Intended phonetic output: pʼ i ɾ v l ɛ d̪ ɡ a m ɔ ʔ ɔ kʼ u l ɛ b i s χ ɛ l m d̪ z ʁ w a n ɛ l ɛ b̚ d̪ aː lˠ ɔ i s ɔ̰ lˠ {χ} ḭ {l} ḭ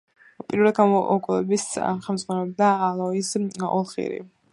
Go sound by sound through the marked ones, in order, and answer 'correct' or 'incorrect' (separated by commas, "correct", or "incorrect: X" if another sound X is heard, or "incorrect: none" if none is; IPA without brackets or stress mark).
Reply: correct, incorrect: ɾ